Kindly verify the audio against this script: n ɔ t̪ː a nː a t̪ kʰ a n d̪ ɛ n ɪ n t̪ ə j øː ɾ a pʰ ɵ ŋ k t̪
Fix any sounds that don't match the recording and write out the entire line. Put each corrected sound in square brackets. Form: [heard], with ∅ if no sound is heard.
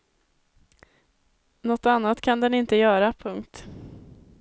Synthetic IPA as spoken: n ɔ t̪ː a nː a t̪ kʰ a n d̪ ɛ n ɪ n t̪ ə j [œː] ɾ a pʰ ɵ ŋ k t̪